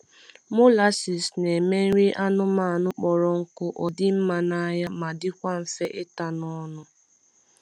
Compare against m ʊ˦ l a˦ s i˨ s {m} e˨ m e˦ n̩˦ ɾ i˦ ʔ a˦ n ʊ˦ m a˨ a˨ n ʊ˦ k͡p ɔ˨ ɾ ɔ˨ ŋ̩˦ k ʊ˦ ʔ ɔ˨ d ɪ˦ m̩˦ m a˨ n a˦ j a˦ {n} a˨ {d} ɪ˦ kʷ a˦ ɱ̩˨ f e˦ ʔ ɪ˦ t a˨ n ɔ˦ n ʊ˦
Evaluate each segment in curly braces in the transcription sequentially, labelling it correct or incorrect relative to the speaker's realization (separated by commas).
incorrect, incorrect, correct